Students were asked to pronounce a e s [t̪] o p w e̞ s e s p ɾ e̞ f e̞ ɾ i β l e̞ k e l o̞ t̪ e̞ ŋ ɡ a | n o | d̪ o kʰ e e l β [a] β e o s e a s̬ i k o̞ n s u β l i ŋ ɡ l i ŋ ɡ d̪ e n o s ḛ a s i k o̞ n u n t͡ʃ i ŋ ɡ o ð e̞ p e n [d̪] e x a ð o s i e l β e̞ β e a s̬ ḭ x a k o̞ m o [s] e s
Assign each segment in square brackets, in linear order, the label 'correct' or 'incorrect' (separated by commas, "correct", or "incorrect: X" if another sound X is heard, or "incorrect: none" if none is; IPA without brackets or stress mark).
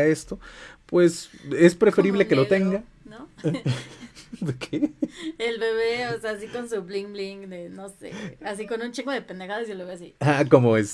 correct, incorrect: e, correct, incorrect: none